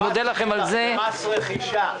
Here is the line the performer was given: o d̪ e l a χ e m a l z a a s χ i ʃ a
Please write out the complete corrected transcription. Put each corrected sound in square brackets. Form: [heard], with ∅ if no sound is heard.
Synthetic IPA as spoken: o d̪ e l a χ e m a l z [e] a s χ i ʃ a